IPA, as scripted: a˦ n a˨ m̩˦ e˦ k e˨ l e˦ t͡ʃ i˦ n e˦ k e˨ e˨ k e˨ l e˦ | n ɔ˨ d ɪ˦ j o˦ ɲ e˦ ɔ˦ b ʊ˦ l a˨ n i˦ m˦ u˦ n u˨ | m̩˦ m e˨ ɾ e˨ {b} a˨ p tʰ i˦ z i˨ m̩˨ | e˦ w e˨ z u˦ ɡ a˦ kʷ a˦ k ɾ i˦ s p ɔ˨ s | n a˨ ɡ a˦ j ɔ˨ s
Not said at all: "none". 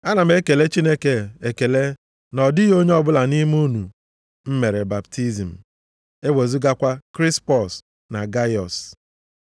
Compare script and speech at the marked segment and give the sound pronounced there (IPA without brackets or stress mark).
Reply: b